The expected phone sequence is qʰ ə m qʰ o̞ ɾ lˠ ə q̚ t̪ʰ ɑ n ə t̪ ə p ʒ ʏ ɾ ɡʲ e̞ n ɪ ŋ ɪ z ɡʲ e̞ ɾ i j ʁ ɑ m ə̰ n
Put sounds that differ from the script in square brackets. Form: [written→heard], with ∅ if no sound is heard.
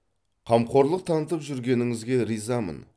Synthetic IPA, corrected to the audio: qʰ [ə→ɑ] m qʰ o̞ ɾ lˠ ə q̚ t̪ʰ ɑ n ə t̪ ə p ʒ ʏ ɾ ɡʲ e̞ n ɪ ŋ ɪ z ɡʲ e̞ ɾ i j [ʁ→z] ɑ m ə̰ n